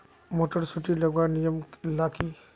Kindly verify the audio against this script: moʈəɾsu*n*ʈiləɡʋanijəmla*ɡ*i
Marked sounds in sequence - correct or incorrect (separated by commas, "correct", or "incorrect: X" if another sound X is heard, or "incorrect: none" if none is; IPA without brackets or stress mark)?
incorrect: none, incorrect: k